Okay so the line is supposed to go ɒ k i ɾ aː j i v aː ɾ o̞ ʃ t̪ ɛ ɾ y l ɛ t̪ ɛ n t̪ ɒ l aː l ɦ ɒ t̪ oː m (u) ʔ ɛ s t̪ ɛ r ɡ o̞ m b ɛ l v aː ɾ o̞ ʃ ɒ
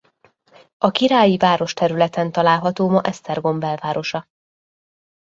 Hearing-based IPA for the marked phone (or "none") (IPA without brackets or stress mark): ɒ